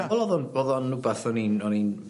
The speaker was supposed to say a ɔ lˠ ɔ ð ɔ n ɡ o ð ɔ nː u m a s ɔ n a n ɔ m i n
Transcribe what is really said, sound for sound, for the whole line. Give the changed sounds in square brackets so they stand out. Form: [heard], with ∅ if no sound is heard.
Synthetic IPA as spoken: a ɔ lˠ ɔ ð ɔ n [b] o ð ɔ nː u [b] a [θ] ɔ n [i] n ɔ [n] i n